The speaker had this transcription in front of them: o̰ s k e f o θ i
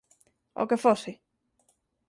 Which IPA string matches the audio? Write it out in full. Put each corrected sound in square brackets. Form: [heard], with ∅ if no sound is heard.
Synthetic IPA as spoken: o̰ [∅] k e f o [s] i